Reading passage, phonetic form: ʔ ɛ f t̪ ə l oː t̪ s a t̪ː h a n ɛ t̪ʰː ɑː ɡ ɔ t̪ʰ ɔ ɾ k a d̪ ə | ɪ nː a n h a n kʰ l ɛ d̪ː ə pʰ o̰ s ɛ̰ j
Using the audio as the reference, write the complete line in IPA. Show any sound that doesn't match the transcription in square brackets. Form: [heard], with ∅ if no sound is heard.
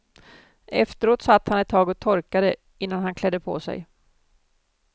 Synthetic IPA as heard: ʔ ɛ f t̪ ə [ɾ] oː t̪ s a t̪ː h a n ɛ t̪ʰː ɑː ɡ ɔ t̪ʰ ɔ ɾ k a d̪ ə | ɪ nː a n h a n kʰ l ɛ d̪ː ə pʰ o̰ s ɛ̰ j